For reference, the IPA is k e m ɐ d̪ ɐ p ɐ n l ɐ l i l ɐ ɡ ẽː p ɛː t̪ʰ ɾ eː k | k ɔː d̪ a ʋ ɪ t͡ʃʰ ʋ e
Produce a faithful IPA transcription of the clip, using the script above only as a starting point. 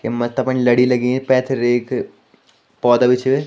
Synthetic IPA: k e m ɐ t̪ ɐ p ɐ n l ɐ ɽ i l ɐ ɡ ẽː p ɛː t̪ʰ ɾ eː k | p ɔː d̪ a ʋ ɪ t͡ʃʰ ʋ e

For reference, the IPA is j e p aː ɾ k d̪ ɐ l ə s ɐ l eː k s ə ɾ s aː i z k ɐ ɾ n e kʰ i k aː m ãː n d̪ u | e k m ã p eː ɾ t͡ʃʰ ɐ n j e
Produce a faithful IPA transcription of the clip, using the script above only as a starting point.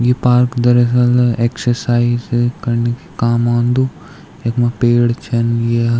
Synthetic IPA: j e p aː ɾ k d̪ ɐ ɾ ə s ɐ l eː k s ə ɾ s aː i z k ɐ ɾ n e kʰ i k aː m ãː n d̪ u | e k m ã p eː ɽ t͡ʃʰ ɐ n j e

